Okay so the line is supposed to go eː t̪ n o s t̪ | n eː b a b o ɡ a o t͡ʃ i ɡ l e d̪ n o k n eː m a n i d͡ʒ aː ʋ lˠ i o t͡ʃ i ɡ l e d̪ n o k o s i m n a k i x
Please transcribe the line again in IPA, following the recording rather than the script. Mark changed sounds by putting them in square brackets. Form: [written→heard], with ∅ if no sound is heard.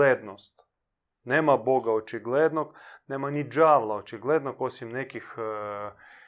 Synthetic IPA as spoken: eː [t̪→d̪] n o s t̪ | n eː [b→m] a b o ɡ a o t͡ʃ i ɡ l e d̪ n o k n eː m a n i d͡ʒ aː ʋ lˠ [i→a] o t͡ʃ i ɡ l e d̪ n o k o s i m n [a→e] k i x